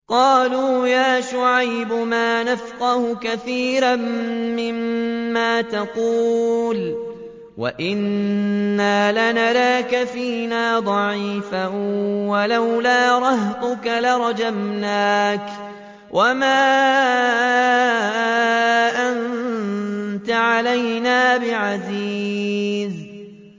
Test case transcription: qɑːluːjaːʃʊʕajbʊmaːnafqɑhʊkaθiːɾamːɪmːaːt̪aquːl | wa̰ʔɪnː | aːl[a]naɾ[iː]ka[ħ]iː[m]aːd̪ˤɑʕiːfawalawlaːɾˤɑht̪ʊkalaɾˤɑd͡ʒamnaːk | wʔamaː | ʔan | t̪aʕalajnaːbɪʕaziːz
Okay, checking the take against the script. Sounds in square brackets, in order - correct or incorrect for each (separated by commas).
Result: correct, incorrect, incorrect, incorrect